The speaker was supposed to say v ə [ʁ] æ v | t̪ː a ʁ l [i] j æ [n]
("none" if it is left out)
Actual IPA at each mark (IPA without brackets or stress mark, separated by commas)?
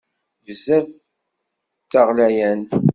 z, æ, n